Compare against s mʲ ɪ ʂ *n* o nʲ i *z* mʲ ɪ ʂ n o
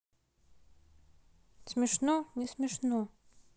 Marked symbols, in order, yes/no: yes, no

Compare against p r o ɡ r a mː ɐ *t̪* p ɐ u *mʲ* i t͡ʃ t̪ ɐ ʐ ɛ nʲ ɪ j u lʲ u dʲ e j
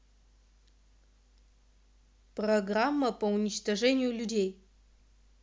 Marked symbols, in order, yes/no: no, no

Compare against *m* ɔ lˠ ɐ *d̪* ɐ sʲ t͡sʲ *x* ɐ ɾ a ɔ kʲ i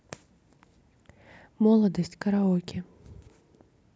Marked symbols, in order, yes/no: yes, yes, no

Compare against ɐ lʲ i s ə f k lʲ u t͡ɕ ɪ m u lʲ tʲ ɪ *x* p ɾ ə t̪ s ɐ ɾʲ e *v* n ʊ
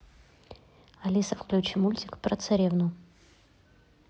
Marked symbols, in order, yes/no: no, yes

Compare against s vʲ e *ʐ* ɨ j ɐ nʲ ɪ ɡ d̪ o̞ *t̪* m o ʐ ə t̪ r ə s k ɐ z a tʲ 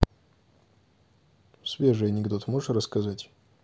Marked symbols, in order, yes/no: yes, yes

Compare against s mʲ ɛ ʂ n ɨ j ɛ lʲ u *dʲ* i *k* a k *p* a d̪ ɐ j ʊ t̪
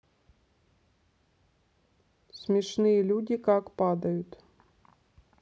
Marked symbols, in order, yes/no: yes, yes, yes

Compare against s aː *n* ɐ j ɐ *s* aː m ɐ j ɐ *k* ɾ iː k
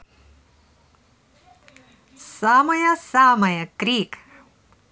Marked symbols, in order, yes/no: no, yes, yes

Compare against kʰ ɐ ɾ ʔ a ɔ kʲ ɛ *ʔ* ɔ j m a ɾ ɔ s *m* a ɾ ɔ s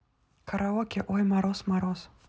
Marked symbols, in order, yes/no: yes, yes

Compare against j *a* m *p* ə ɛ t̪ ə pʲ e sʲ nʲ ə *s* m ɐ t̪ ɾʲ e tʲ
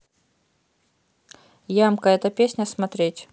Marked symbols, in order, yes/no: yes, no, yes

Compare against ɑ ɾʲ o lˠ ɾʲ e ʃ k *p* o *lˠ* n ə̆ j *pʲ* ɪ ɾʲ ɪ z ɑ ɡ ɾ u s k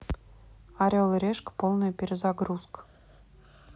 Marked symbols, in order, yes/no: yes, yes, yes

